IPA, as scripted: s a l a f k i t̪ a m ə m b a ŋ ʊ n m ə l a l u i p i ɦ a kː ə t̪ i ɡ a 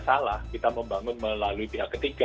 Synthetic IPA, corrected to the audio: s a l a h k i t̪ a m ə m b a ŋ ʊ n m ə l a l u i p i ɦ a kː ə t̪ i ɡ a